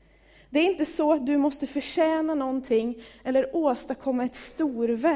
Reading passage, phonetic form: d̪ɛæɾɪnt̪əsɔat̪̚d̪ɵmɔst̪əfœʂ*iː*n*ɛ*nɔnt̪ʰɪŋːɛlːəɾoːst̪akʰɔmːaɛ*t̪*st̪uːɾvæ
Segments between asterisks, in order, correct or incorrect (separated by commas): incorrect, incorrect, correct